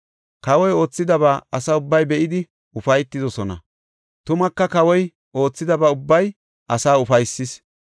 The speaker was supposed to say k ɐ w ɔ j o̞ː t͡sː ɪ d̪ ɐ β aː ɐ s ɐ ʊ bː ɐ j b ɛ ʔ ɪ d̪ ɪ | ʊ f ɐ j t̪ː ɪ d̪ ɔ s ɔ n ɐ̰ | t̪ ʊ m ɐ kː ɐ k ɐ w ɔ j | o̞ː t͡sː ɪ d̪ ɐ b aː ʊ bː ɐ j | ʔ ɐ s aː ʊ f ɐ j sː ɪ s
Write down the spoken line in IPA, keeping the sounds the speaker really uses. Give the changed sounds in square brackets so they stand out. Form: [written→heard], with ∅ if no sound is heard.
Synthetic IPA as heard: k ɐ w ɔ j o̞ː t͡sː ɪ d̪ ɐ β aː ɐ s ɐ ʊ bː ɐ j b ɛ ʔ ɪ d̪ ɪ | ʊ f ɐ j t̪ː ɪ d̪ ɔ s ɔ n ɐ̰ | t̪ ʊ m ɐ kː ɐ k ɐ w ɔ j | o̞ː t͡sː ɪ d̪ ɐ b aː ʊ bː ɐ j | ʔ ɐ s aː ʊ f ɐ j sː ɪ s